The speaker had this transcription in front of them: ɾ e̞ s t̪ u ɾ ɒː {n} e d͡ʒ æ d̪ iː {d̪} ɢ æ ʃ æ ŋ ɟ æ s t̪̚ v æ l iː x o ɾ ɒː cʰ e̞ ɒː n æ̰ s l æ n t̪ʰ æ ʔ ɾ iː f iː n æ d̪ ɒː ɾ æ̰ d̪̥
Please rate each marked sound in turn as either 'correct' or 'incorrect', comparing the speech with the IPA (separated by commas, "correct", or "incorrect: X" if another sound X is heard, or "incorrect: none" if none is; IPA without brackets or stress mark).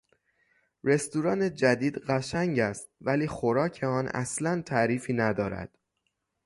correct, correct